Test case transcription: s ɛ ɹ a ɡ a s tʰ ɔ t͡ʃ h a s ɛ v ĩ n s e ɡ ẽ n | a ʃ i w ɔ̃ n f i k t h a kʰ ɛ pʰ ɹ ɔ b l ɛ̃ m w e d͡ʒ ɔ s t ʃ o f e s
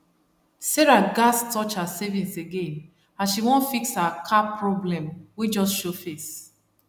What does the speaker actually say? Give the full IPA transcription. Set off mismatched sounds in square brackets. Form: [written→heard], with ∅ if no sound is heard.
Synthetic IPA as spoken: s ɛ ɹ a ɡ a s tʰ ɔ t͡ʃ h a s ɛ v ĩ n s e ɡ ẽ n | a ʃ i w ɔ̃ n f i k [t→s] h a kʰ [ɛ→a] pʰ ɹ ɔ b l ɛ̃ m w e d͡ʒ ɔ s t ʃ o f e s